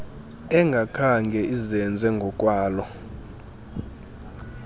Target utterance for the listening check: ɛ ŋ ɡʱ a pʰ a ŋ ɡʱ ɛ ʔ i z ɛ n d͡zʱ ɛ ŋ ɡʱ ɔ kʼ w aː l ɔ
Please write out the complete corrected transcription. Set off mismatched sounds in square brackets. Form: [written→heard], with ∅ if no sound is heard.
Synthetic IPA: ɛ ŋ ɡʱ a [pʰ→kʰ] a ŋ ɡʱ ɛ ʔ i z ɛ n d͡zʱ ɛ ŋ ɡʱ ɔ kʼ w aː l ɔ